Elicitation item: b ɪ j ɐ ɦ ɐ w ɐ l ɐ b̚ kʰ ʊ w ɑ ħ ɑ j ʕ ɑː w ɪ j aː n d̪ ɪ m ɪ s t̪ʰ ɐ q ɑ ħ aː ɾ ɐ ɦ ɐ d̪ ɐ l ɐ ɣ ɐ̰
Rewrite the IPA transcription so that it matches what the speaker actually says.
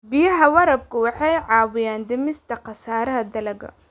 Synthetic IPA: b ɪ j ɐ ɦ ɐ w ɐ ɾ ɐ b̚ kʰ ʊ w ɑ ħ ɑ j ʕ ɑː w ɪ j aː n d̪ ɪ m ɪ s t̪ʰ ɐ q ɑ s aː ɾ ɐ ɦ ɐ d̪ ɐ l ɐ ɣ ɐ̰